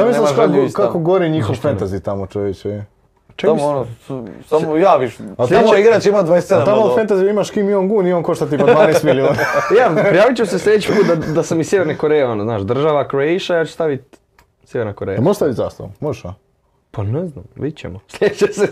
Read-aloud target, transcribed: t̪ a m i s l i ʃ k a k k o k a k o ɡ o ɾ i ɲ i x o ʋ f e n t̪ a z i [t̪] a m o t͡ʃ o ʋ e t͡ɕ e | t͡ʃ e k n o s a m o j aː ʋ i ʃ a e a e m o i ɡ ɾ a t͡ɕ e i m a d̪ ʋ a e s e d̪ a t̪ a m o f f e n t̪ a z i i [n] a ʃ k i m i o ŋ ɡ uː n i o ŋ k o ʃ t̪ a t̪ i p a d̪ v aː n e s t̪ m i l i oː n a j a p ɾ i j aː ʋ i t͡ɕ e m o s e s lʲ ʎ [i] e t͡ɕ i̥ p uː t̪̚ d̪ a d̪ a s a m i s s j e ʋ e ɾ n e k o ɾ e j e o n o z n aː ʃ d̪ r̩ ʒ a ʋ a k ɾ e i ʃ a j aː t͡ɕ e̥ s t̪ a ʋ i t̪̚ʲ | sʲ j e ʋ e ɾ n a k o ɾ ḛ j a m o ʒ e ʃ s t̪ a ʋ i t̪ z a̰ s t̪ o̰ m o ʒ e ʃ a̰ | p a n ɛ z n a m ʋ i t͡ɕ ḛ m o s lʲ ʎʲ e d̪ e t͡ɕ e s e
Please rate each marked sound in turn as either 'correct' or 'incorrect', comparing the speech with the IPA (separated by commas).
correct, incorrect, incorrect